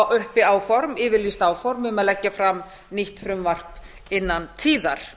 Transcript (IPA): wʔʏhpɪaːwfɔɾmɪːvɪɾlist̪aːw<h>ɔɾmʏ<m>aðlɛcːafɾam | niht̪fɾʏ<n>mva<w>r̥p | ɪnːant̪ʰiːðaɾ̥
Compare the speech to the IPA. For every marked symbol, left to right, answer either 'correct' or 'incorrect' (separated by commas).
incorrect, correct, incorrect, incorrect